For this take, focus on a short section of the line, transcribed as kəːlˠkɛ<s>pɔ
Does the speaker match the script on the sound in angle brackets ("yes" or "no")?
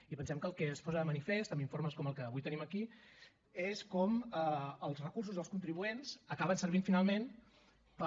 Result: yes